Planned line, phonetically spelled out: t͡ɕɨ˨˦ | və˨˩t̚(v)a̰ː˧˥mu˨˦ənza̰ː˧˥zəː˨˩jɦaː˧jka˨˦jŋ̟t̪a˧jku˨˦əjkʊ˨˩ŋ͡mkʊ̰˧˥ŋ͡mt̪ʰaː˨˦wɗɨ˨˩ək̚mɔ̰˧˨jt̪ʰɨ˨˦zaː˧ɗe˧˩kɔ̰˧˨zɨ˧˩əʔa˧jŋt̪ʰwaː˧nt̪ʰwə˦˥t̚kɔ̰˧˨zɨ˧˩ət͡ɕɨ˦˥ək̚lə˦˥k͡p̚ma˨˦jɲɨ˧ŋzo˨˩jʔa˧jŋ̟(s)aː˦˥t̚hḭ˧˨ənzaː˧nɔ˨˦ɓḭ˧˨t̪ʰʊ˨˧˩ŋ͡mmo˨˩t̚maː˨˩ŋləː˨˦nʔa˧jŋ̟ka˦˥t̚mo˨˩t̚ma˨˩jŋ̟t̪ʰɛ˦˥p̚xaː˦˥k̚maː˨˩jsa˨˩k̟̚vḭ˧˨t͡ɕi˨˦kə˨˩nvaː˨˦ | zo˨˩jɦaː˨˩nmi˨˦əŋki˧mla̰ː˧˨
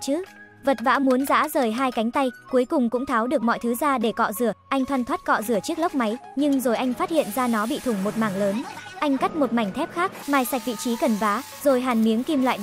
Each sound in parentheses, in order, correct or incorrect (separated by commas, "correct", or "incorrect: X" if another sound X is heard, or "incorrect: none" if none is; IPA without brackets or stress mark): correct, incorrect: f